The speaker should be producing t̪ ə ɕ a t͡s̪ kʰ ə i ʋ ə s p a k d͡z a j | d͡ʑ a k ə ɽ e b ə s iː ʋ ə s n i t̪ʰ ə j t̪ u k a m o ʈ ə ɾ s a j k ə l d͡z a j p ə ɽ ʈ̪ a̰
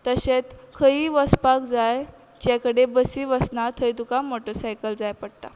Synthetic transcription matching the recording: t̪ ə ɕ e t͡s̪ kʰ ə i ʋ ə s p a k d͡z a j | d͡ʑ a k ə ɽ e b ə s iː ʋ ə s n a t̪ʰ ə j t̪ u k a m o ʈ ə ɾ s a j k ə l d͡z a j p ə ɽ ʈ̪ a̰